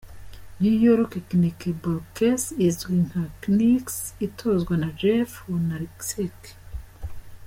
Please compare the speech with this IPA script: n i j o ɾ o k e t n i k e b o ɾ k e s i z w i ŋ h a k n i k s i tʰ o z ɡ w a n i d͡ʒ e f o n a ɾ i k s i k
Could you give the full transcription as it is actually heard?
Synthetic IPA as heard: n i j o ɾ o k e k n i k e b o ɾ k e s i z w i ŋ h a k n i k s i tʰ o z ɡ w a n a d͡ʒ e f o n a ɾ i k s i k